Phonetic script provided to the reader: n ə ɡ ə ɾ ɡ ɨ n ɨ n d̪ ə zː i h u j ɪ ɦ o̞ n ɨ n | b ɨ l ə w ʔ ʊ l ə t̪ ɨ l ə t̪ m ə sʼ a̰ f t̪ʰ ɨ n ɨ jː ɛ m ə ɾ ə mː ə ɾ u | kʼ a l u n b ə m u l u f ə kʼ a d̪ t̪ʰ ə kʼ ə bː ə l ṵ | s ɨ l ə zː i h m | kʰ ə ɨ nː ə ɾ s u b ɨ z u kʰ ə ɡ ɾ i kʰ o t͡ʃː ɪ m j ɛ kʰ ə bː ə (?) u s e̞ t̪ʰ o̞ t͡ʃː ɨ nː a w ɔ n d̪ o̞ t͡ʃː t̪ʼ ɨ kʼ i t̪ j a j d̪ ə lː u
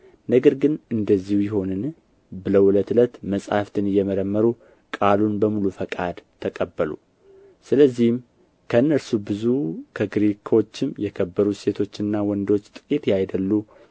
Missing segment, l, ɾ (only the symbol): ɾ